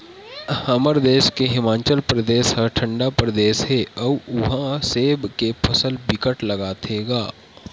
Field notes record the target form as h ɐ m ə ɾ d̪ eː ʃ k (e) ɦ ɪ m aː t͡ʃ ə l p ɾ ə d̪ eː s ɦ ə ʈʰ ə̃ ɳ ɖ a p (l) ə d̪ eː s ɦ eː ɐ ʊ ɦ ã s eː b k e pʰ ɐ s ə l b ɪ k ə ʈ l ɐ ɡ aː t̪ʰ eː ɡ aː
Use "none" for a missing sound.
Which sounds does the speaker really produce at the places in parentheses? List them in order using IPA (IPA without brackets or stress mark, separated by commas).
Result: e, ɾ